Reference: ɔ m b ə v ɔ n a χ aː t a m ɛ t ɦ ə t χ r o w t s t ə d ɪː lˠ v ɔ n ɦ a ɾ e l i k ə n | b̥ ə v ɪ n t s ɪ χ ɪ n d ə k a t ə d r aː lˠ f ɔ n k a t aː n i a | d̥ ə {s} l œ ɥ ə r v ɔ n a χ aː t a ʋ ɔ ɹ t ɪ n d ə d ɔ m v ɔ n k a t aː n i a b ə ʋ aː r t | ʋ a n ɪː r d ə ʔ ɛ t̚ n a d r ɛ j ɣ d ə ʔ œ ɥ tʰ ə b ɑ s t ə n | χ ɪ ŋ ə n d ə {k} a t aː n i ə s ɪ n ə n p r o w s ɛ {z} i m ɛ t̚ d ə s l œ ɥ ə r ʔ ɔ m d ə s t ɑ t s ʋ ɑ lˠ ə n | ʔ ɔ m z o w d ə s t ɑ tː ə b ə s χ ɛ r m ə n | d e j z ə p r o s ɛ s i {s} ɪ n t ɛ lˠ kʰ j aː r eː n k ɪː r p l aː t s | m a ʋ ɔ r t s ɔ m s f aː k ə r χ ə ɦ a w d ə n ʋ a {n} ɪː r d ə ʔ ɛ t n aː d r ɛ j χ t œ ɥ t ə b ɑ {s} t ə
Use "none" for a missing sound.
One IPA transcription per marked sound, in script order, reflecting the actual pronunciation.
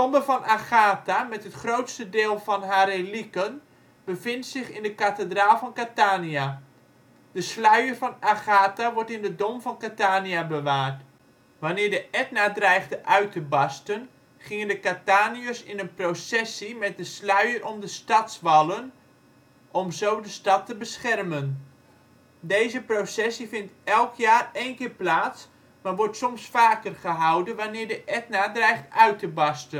s, k, s, f, n, s

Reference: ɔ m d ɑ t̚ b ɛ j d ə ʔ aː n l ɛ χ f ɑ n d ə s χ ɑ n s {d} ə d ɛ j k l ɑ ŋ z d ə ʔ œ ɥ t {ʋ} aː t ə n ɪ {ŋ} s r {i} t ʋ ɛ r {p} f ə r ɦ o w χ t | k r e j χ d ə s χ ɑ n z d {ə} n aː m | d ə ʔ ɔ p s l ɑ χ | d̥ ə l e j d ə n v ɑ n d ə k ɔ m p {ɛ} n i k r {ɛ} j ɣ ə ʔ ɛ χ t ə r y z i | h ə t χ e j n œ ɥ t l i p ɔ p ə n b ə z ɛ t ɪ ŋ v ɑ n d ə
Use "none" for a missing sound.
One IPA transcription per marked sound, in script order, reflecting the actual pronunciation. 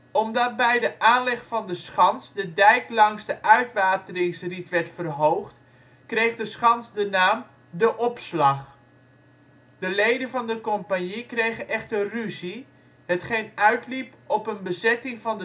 d, ʋ, ŋ, i, t, ə, a, e

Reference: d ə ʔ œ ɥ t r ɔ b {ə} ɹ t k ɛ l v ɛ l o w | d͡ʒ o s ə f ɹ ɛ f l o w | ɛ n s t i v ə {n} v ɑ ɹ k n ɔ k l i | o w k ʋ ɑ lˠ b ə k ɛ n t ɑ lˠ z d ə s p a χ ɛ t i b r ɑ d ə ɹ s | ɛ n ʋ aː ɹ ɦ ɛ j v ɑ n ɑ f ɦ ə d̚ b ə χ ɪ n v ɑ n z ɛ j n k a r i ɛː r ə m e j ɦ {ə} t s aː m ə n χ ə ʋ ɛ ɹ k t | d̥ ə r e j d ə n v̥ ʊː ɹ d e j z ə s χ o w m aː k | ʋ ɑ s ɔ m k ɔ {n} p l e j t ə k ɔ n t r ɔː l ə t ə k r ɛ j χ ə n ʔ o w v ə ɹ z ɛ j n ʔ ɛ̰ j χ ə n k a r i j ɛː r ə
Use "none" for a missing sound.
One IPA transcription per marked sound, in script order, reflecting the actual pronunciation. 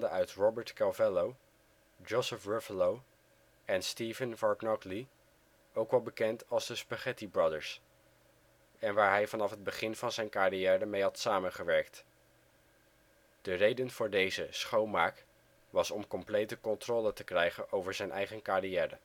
ə, n, ɑ, m

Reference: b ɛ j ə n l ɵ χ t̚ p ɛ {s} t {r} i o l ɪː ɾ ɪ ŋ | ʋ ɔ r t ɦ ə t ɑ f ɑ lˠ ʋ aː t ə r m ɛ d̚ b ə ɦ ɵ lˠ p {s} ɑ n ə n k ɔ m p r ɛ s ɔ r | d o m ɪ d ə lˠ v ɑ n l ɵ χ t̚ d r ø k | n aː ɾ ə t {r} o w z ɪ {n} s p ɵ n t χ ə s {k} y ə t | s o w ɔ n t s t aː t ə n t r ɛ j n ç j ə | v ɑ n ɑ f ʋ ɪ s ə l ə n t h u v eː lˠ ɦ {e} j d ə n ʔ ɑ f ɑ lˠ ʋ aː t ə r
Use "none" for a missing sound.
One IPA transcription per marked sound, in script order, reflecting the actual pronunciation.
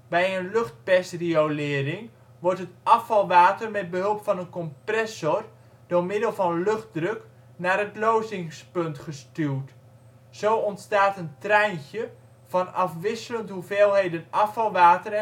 s, r, f, l, ŋ, t, e

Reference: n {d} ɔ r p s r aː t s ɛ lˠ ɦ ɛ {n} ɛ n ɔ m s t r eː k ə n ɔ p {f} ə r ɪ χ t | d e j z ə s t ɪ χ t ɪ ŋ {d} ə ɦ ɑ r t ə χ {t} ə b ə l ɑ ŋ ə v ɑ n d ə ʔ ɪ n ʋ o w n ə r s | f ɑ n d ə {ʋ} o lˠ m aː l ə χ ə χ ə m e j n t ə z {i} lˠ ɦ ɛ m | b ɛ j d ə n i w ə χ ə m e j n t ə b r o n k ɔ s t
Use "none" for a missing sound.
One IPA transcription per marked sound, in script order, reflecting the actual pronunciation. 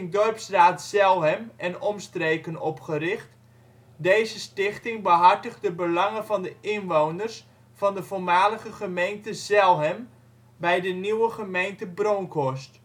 d, m, χ, b, d, v, ɛ

